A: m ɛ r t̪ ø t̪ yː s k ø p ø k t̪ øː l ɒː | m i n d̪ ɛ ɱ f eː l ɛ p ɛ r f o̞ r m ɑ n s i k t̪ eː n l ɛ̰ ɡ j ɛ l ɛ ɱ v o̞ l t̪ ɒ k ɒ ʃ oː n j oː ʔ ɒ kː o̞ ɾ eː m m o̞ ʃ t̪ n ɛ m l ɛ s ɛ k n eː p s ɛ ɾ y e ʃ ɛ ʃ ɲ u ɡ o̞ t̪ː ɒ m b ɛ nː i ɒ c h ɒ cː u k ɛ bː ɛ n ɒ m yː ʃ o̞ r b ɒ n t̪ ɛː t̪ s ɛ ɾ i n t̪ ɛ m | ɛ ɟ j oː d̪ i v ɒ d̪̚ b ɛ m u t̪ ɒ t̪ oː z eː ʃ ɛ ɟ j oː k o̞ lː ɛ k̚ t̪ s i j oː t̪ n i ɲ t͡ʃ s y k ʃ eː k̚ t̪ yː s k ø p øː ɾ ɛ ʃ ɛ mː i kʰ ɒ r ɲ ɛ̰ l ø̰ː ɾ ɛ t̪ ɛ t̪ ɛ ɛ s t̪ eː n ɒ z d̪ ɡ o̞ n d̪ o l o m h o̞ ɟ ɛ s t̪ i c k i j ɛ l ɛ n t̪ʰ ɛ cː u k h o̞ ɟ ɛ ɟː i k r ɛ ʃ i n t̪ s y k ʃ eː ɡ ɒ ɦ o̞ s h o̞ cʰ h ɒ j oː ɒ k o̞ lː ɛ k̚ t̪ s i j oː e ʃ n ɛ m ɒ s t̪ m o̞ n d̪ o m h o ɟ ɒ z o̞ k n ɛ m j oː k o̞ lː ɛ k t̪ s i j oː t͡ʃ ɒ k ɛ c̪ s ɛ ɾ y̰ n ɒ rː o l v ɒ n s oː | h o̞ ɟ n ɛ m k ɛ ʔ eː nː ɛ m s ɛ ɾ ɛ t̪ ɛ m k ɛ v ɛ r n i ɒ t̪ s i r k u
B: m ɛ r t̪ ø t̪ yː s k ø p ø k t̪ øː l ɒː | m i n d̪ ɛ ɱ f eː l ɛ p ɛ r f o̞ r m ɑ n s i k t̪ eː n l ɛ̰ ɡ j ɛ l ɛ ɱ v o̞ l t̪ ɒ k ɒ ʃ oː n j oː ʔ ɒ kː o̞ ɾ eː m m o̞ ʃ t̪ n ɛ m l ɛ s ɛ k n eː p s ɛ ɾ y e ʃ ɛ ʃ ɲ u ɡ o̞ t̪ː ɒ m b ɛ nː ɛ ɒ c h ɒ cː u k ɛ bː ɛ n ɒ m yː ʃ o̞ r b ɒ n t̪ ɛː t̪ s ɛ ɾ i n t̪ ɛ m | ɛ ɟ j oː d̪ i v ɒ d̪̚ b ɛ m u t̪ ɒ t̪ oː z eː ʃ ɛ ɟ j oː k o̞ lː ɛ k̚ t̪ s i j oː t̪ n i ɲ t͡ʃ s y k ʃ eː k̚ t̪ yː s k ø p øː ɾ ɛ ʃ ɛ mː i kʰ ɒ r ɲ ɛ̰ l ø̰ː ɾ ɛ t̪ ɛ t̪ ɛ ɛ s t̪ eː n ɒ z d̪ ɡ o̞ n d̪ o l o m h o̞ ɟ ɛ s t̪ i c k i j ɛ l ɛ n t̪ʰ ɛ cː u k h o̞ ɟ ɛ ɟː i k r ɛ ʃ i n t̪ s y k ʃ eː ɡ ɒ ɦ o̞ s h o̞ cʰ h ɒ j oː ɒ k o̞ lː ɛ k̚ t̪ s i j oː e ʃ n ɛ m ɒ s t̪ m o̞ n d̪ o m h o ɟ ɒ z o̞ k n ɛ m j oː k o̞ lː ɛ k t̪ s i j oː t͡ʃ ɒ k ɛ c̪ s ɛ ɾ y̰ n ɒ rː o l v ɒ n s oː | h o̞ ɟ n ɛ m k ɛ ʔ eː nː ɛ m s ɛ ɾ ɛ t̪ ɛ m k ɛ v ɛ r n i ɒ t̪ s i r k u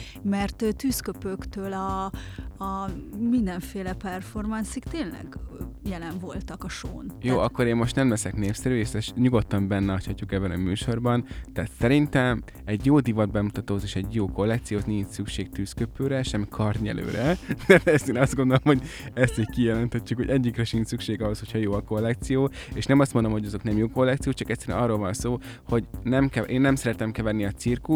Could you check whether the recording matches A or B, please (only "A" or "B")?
B